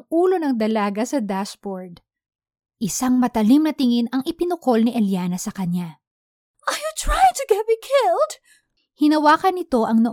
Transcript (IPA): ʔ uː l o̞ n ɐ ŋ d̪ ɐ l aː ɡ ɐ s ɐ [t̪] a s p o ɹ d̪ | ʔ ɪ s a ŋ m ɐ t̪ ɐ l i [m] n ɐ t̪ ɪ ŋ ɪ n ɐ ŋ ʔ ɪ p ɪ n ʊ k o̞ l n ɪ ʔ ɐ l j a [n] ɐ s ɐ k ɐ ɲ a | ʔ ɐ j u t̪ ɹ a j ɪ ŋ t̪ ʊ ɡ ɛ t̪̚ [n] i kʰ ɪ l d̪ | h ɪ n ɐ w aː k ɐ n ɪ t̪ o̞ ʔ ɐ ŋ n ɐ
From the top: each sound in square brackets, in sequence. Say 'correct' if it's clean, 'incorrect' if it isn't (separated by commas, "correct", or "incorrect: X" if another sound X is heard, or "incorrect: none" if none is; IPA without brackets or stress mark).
incorrect: d̪, correct, correct, incorrect: m